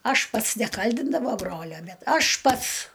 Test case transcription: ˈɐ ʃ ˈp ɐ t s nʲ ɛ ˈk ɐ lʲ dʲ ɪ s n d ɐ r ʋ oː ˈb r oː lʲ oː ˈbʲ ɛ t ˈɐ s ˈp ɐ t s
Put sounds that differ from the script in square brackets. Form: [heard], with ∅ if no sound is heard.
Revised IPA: ˈɐ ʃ ˈp ɐ t s nʲ ɛ ˈk ɐ lʲ dʲ ɪ [∅] n d ɐ [∅] ʋ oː ˈb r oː lʲ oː ˈbʲ ɛ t ˈɐ [ʃ] ˈp ɐ t s

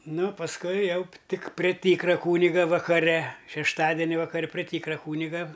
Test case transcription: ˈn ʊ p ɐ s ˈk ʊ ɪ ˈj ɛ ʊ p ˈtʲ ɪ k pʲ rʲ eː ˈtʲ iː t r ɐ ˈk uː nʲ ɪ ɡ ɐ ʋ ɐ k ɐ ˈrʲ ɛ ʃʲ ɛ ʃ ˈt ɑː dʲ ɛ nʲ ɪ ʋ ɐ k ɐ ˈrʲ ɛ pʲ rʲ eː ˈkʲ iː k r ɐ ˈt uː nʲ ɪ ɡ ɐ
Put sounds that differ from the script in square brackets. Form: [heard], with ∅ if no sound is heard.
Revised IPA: ˈn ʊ p ɐ s ˈk ʊ ɪ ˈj ɛ ʊ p ˈtʲ ɪ k pʲ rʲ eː ˈtʲ iː [k] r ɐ ˈk uː nʲ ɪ ɡ ɐ ʋ ɐ k ɐ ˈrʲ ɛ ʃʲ ɛ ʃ ˈt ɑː dʲ ɛ nʲ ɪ ʋ ɐ k ɐ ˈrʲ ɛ pʲ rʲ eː [ˈtʲ] iː k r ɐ [ˈk] uː nʲ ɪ ɡ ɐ

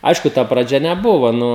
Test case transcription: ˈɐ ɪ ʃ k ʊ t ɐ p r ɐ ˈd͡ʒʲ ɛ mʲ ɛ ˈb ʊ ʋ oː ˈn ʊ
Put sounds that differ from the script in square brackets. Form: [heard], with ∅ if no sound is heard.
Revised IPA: ˈɐ ɪ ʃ k ʊ t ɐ p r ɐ ˈd͡ʒʲ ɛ [nʲ] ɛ ˈb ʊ ʋ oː ˈn ʊ

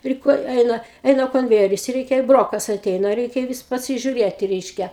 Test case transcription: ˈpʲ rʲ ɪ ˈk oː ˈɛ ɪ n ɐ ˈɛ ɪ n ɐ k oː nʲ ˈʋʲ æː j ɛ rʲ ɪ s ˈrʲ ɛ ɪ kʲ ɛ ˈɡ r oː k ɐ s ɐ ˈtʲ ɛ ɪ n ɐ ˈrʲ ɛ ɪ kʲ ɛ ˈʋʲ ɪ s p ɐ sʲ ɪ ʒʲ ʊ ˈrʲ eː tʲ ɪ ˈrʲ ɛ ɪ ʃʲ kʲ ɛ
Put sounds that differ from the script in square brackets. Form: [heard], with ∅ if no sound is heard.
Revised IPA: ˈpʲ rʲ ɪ ˈk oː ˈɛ ɪ n ɐ ˈɛ ɪ n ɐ k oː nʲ ˈʋʲ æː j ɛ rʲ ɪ s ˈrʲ ɛ ɪ kʲ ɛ [ˈb] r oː k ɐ s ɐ ˈtʲ ɛ ɪ n ɐ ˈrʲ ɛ ɪ kʲ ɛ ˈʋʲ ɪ s p ɐ sʲ ɪ ʒʲ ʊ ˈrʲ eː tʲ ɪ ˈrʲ ɛ ɪ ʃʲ kʲ ɛ

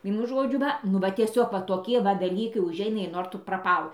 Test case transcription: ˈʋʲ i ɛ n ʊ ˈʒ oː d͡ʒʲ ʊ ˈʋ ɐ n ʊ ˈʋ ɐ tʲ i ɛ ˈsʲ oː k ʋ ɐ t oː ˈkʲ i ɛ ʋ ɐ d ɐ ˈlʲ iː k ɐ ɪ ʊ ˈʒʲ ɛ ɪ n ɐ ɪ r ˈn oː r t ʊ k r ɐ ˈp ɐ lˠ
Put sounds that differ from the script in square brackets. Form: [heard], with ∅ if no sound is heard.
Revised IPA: ˈʋʲ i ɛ n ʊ ˈʒ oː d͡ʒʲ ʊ ˈʋ ɐ n ʊ ˈʋ ɐ tʲ i ɛ ˈsʲ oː k ʋ ɐ t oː ˈkʲ i ɛ ʋ ɐ d ɐ ˈlʲ iː k ɐ ɪ ʊ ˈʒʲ ɛ ɪ n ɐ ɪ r ˈn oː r t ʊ [p] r ɐ ˈp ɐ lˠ

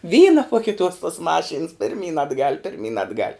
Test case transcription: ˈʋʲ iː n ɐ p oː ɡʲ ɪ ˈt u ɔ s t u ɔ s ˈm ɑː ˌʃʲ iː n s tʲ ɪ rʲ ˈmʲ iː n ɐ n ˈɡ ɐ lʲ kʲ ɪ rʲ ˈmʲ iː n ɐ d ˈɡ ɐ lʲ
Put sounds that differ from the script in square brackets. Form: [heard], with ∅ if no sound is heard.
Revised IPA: ˈʋʲ iː n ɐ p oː [kʲ] ɪ ˈt u ɔ s t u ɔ s ˈm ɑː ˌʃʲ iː n s [pʲ] ɪ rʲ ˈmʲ iː n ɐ [d] ˈɡ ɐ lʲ [pʲ] ɪ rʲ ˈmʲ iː n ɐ d ˈɡ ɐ lʲ

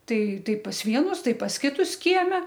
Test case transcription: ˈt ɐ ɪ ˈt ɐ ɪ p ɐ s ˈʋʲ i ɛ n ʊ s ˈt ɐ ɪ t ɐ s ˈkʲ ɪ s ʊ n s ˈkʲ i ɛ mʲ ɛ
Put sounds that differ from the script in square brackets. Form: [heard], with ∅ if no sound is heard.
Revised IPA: ˈt ɐ ɪ ˈt ɐ ɪ p ɐ s ˈʋʲ i ɛ n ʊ s ˈt ɐ ɪ [p] ɐ s ˈkʲ ɪ [t] ʊ [∅] s ˈkʲ i ɛ mʲ ɛ

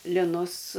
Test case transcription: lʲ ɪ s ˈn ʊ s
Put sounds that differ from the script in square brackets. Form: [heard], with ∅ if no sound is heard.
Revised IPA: lʲ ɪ [∅] ˈn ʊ s

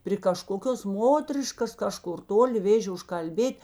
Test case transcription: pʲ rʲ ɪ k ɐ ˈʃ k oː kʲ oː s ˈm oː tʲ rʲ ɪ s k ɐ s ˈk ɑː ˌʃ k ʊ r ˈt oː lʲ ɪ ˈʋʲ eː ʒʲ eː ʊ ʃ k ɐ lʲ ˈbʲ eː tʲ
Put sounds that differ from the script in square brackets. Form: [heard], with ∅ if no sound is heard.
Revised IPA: pʲ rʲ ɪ k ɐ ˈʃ k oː kʲ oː s ˈm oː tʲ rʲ ɪ [ʃ] k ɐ s ˈk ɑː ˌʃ k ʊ r ˈt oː lʲ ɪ ˈʋʲ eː ʒʲ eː ʊ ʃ k ɐ lʲ ˈbʲ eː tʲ

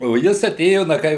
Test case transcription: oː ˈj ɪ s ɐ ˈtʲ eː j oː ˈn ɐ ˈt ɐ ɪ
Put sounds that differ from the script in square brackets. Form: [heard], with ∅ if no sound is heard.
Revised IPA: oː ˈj ɪ s ɐ ˈtʲ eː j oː ˈn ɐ [ˈk] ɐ ɪ

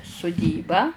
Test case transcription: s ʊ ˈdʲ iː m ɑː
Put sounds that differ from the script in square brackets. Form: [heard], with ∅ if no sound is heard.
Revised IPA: s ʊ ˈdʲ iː [b] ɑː

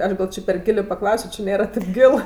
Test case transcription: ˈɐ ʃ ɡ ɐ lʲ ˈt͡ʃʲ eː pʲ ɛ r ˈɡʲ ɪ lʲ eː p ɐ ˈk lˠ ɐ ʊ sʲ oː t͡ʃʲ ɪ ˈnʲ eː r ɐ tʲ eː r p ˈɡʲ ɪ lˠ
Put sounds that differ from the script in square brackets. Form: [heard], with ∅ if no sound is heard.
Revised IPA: ˈɐ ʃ ɡ ɐ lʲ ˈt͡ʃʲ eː pʲ ɛ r ˈɡʲ ɪ lʲ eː p ɐ ˈk lˠ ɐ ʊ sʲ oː t͡ʃʲ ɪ ˈnʲ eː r ɐ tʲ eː [∅] p ˈɡʲ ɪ lˠ

